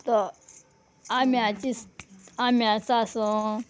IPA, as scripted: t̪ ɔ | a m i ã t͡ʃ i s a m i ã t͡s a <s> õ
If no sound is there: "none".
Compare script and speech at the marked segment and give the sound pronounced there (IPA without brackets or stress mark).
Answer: s